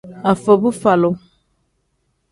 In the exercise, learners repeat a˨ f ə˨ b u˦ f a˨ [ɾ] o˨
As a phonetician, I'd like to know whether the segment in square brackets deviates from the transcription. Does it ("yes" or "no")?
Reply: yes